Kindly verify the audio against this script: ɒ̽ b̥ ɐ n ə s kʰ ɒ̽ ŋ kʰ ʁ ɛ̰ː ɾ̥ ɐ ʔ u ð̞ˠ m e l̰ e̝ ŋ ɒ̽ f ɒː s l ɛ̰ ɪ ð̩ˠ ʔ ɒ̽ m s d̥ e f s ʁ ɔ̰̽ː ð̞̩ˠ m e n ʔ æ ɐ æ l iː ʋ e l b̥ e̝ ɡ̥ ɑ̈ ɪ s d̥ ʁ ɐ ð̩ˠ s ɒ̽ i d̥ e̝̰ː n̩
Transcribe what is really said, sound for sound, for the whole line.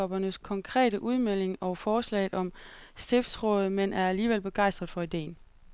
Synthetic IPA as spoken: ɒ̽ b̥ ɐ n ə s kʰ ɒ̽ ŋ kʰ ʁ ɛ̰ː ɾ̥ ə ʔ u ð̞ˠ m e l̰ e̝ ŋ ɒ̽ f ɒː s l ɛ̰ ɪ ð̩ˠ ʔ ɒ̽ m s d̥ e f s ʁ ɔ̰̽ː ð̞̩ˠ m e n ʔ æ ɐ æ l iː ʋ e l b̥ e̝ ɡ̥ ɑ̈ ɪ s d̥ ʁ ɐ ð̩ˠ f ɒ̽ i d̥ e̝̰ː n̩